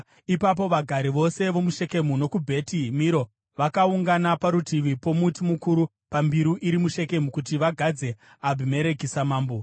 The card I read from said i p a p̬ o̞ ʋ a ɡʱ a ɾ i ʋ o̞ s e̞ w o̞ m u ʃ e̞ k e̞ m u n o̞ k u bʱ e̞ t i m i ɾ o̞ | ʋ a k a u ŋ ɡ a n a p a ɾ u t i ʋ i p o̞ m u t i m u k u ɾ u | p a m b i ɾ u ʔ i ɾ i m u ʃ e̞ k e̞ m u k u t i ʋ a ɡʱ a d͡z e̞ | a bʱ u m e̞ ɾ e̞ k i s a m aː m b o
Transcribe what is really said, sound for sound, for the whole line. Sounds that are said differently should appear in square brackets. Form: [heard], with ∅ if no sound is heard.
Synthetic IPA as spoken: i p a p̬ o̞ ʋ a ɡʱ a ɾ i ʋ o̞ s e̞ [ʋ] o̞ m u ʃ e̞ k e̞ m u n o̞ k u bʱ e̞ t i m i ɾ o̞ | ʋ a k a u ŋ ɡ a n a p a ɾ u t i ʋ i p o̞ m u t i m u k u ɾ u | p a m b i ɾ u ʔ i ɾ i m u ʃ e̞ k e̞ m u k u t i ʋ a ɡʱ a d͡z e̞ | a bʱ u m e̞ ɾ e̞ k i s a m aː m b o